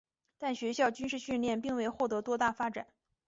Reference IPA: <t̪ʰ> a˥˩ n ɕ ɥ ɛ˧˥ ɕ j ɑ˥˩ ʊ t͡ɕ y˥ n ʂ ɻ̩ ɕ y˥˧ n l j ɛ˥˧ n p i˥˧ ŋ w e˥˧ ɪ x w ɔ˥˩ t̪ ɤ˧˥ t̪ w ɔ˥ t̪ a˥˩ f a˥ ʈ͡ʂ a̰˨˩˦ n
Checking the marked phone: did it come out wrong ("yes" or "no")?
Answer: yes